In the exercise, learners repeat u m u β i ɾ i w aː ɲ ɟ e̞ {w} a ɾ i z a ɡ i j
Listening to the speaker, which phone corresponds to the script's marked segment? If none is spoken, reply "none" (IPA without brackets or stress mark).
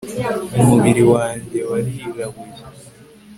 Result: w